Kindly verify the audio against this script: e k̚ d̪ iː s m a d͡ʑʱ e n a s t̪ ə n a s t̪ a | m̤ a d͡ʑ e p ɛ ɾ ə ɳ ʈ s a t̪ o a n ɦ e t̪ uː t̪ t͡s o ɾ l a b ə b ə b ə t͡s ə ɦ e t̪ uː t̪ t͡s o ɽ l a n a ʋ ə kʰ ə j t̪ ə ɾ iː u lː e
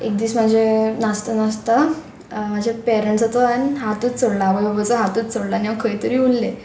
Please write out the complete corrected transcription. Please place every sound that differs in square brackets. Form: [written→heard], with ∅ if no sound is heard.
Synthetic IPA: e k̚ d̪ iː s m a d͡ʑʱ e n a s t̪ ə n a s t̪ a | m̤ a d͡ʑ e p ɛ ɾ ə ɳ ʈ s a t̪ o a n ɦ [e→a] t̪ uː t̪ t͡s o [ɾ→ɽ] l a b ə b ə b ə t͡s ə ɦ [e→a] t̪ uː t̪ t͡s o ɽ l a n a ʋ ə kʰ ə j t̪ ə ɾ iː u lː e